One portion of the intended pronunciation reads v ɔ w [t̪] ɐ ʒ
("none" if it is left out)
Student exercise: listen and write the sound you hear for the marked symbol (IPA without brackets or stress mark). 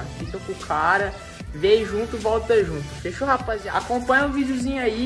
t̪